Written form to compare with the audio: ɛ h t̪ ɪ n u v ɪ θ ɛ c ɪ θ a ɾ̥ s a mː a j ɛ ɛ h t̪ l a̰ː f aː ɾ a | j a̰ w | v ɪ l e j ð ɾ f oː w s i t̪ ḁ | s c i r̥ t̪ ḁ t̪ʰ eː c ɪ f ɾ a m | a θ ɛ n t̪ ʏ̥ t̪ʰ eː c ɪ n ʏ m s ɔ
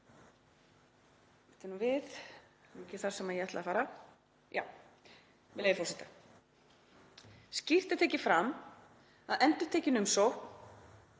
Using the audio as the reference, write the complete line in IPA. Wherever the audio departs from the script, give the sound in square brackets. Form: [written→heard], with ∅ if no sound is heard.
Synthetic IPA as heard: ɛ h t̪ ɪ n u v ɪ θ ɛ c ɪ θ a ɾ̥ s [a→ɛ] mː a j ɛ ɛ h t̪ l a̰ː f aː ɾ a | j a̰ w | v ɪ l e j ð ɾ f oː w s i t̪ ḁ | s c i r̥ t̪ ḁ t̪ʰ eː c ɪ f ɾ a m | a [θ→ð] ɛ n t̪ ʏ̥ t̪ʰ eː c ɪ n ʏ m s ɔ